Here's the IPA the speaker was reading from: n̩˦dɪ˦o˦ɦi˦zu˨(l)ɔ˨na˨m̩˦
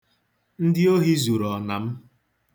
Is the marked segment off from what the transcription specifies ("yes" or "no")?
yes